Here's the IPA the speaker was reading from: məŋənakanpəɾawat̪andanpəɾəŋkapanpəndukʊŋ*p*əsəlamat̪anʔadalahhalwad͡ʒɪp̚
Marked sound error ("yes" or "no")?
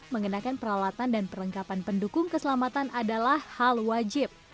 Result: yes